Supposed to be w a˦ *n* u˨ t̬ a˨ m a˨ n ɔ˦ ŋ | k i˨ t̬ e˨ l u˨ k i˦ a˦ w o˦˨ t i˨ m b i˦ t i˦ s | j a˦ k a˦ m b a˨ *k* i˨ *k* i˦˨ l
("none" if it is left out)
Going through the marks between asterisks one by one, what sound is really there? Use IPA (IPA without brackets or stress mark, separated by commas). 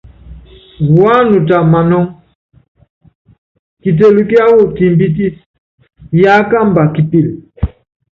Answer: n, k, p